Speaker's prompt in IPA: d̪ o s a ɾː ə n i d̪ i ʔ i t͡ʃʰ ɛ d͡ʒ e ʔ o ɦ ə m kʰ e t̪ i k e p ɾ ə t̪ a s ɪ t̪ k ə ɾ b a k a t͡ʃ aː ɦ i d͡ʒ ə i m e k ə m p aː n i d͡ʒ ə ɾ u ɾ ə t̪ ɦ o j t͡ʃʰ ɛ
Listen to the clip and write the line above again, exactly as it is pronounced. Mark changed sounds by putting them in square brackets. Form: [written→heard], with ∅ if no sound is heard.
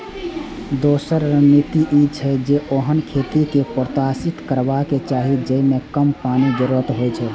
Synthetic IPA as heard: d̪ o s [a→ə] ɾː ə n i [d̪→t̪] i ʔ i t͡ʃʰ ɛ d͡ʒ e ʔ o ɦ ə [m→n] kʰ e t̪ i k e p ɾ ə t̪ a s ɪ t̪ k ə ɾ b a k [a→e] t͡ʃ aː ɦ i d͡ʒ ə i m e k ə m p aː n i d͡ʒ ə ɾ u ɾ ə t̪ ɦ o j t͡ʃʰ ɛ